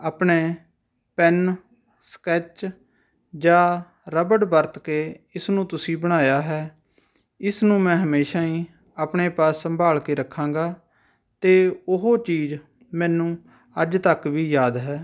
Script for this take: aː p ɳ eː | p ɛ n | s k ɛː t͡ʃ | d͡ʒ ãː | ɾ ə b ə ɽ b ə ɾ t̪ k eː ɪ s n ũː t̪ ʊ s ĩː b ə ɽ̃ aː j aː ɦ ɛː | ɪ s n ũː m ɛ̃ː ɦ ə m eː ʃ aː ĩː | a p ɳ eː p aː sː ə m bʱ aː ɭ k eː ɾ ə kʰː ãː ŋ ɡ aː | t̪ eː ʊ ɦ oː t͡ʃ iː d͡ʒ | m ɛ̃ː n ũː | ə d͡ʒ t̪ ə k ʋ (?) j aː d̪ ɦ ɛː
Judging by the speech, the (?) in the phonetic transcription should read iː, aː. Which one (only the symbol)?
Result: iː